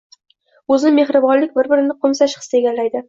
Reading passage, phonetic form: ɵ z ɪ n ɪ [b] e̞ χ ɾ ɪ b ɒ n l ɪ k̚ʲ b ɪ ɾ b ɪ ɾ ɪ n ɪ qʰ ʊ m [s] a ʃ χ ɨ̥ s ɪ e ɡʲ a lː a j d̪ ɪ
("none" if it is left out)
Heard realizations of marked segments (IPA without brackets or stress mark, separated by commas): m, s